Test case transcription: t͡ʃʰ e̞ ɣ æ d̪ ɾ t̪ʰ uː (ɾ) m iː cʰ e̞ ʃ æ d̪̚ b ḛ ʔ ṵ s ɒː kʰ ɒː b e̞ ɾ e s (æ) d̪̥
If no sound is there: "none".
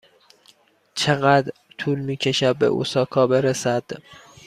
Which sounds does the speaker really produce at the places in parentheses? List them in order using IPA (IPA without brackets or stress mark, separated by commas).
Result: l, æ